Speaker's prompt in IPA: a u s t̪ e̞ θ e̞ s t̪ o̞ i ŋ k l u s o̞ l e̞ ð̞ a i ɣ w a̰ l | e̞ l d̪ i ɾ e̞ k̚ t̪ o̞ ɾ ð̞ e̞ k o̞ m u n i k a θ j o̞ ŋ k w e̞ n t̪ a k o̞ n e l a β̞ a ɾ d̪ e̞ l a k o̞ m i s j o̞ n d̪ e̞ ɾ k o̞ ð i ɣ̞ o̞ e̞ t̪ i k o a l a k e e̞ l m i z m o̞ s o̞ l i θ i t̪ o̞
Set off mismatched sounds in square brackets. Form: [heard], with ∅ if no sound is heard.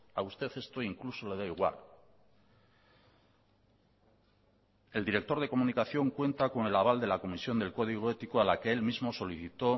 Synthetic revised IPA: a u s t̪ e̞ θ e̞ s t̪ o̞ i ŋ k l u s o̞ l e̞ ð̞ a i ɣ w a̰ l | e̞ l d̪ i ɾ e̞ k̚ t̪ o̞ ɾ ð̞ e̞ k o̞ m u n i k a θ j o̞ ŋ k w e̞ n t̪ a k o̞ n e l a β̞ a [l] d̪ e̞ l a k o̞ m i s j o̞ n d̪ e̞ [l] k o̞ ð i ɣ̞ o̞ e̞ t̪ i k o a l a k e e̞ l m i z m o̞ s o̞ l i θ i t̪ o̞